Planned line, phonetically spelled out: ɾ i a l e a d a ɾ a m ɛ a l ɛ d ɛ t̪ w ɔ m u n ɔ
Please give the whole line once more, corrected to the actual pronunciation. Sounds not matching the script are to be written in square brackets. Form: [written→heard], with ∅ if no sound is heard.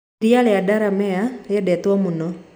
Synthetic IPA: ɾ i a l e a d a ɾ a m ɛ a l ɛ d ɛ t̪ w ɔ m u n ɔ